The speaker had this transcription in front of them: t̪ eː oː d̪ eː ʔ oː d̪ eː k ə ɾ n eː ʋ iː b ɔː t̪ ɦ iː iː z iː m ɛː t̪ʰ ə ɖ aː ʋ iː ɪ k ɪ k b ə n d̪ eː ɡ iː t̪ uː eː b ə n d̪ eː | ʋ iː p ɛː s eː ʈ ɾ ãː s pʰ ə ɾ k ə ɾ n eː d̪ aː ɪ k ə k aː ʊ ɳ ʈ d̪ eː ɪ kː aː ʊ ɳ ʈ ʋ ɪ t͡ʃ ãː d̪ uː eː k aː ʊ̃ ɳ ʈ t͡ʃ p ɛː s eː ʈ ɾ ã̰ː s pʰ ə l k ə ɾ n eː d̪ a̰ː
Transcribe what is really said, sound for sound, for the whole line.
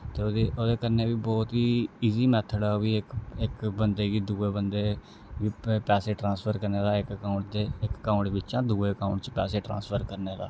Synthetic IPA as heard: t̪ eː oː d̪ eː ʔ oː d̪ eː k ə ɾ n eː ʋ iː b ɔː t̪ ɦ iː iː z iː m ɛː t̪ʰ ə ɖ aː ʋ iː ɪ k ɪ k b ə n d̪ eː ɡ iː d̪ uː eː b ə n d̪ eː | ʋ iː p ɛː s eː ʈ ɾ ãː s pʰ ə ɾ k ə ɾ n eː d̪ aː ɪ k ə k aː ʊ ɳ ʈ d̪ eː ɪ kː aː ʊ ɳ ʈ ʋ ɪ t͡ʃ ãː d̪ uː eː k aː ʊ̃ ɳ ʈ t͡ʃ p ɛː s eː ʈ ɾ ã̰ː s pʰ ə ɾ k ə ɾ n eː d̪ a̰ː